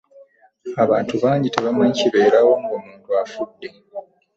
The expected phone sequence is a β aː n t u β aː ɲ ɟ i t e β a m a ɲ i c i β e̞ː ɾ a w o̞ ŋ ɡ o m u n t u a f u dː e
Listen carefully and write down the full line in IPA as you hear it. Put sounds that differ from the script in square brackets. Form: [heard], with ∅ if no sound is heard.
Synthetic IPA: a β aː n t u β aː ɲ ɟ i t e β a m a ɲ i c i β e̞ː ɾ a w o̞ ŋ ɡ o m [uː] n t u a f u dː e